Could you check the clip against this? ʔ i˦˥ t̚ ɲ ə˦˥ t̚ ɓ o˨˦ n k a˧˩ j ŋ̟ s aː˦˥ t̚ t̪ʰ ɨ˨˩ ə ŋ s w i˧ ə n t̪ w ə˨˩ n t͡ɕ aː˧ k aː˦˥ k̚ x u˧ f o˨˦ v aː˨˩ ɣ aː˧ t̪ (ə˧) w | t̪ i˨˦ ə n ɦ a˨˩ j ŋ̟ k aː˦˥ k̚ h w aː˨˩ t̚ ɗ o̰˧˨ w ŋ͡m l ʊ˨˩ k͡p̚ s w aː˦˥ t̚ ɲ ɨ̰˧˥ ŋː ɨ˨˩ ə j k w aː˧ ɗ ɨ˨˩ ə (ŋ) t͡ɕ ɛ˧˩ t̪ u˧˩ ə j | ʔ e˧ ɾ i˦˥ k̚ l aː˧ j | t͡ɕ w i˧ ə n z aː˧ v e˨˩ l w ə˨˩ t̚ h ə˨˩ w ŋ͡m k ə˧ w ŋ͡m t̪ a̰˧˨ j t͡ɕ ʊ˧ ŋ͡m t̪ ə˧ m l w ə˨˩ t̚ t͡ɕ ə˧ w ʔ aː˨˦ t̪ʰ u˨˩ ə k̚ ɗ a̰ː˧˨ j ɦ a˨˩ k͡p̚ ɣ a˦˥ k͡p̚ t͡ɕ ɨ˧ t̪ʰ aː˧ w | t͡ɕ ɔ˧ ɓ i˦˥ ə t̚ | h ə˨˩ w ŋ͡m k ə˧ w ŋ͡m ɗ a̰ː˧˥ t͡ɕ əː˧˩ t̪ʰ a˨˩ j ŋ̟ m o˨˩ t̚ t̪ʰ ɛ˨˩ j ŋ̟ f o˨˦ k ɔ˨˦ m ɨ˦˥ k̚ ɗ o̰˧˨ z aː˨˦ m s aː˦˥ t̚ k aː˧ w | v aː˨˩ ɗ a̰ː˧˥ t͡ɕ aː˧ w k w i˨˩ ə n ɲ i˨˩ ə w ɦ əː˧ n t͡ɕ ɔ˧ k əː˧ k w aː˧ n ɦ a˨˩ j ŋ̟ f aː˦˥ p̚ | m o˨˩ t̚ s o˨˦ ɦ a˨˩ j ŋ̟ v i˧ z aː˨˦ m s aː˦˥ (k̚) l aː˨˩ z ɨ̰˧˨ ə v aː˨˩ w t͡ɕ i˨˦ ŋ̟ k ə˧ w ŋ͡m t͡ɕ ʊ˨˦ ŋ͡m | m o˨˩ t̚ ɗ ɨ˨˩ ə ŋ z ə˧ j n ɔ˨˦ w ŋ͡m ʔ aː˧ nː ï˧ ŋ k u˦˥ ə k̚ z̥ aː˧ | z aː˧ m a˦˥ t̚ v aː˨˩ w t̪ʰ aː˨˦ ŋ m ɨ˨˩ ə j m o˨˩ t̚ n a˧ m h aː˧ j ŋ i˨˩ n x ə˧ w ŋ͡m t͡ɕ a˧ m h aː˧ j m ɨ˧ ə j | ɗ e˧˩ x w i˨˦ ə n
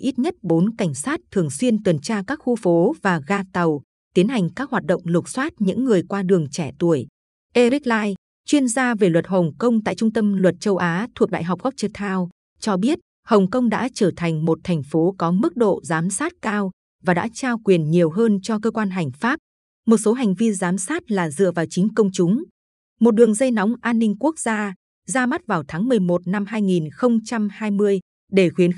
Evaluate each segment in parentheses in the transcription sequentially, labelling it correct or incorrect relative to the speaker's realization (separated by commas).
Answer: incorrect, correct, incorrect